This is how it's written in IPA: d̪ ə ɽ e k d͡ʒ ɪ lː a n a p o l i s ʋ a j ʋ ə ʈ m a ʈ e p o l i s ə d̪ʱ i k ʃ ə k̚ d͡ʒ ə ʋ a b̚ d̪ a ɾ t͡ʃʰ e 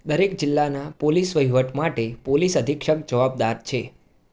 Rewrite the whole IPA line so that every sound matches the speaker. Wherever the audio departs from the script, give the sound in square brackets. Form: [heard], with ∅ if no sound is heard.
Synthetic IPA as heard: d̪ ə [ɾ] e k d͡ʒ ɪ lː a n a p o l i s ʋ [ə] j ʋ ə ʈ m a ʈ e p o l i s ə d̪ʱ i k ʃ ə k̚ d͡ʒ ə ʋ a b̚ d̪ a ɾ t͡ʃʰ e